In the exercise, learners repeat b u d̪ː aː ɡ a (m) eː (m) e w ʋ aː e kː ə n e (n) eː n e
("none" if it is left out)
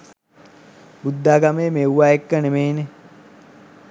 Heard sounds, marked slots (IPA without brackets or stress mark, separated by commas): m, m, m